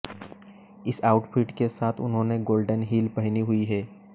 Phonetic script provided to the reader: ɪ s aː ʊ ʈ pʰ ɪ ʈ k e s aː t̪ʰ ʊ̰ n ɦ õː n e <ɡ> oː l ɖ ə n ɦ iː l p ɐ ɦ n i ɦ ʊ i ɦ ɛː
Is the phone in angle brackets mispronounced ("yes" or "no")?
no